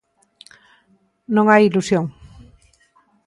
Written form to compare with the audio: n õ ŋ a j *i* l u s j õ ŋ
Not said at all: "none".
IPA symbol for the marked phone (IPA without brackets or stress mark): i